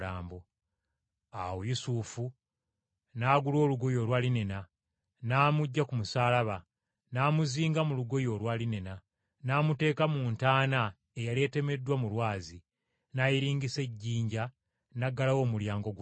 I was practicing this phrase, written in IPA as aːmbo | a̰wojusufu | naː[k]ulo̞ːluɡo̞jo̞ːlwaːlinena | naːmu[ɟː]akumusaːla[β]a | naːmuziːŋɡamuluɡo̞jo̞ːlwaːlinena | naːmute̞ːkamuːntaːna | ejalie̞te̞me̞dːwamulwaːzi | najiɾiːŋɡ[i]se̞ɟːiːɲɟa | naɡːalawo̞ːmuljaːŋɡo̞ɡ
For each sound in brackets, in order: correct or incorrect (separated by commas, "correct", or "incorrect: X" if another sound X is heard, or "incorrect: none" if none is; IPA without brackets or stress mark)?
incorrect: ɡ, correct, correct, correct